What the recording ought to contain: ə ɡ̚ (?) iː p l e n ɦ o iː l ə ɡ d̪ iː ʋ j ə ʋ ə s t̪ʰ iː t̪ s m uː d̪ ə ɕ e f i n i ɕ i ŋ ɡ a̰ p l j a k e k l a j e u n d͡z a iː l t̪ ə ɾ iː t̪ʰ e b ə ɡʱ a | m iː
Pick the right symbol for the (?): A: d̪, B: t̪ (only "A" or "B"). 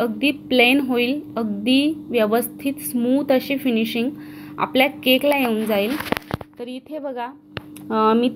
A